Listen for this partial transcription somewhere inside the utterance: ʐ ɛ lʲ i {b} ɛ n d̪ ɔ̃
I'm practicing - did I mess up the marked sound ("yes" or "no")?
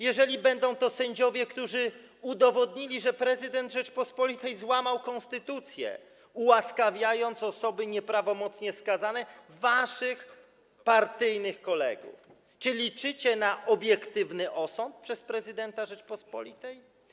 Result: no